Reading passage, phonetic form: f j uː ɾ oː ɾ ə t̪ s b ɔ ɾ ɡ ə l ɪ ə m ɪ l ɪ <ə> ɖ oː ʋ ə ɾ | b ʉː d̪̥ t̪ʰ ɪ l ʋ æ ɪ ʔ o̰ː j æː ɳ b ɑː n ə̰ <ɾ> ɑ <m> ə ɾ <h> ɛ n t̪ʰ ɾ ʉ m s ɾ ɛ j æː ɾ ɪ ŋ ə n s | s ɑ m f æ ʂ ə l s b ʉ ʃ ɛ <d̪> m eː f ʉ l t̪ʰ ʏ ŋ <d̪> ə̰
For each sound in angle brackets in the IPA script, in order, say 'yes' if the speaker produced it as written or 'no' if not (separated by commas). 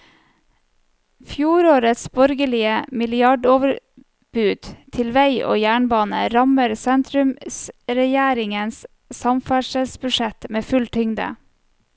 no, yes, yes, no, no, yes